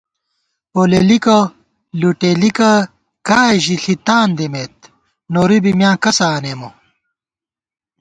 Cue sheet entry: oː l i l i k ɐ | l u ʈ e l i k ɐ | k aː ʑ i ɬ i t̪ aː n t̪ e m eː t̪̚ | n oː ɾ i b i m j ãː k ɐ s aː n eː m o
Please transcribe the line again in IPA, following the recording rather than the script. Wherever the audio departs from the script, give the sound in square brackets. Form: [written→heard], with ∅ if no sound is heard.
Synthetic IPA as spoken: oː l [i→e] l i k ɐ | l u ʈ e l i k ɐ | k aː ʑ i ɬ i t̪ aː n [t̪→d̪] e m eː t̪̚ | n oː ɾ i b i m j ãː k ɐ s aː n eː m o